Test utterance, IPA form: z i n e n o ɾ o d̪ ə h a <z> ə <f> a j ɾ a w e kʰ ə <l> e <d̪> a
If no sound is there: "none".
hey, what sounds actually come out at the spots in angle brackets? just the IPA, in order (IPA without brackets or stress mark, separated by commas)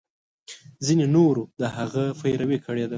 ɣ, f, ɽ, d̪